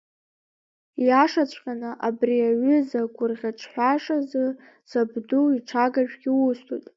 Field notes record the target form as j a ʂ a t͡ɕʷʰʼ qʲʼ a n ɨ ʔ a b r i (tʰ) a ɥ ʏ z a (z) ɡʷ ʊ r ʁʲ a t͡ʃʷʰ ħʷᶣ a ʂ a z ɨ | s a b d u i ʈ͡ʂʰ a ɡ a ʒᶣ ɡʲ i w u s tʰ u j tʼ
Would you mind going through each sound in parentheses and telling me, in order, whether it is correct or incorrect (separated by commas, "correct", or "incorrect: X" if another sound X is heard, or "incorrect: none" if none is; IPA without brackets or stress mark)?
incorrect: none, incorrect: none